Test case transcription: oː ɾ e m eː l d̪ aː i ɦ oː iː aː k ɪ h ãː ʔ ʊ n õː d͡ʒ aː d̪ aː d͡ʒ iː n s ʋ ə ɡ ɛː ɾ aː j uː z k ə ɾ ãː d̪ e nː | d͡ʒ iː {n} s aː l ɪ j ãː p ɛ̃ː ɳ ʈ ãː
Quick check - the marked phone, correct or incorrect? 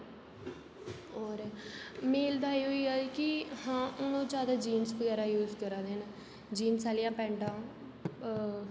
correct